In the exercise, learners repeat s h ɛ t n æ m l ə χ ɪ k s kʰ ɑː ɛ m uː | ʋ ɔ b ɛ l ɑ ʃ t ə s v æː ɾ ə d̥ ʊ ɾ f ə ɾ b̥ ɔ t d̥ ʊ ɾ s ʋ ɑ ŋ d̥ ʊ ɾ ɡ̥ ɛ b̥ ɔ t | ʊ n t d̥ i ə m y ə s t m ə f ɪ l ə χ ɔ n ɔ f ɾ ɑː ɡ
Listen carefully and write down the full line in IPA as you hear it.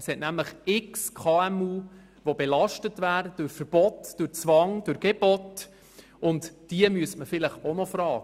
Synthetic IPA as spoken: s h ɛ t n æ m l ə χ ɪ k s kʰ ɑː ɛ m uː | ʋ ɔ b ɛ l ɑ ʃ t ə t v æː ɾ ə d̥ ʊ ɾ f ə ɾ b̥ ɔ t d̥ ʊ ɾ t͡s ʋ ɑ ŋ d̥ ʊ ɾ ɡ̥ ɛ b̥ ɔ t | ʊ n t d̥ i ə m y ə s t m ə f ɪ l ə χ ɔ n ɔ f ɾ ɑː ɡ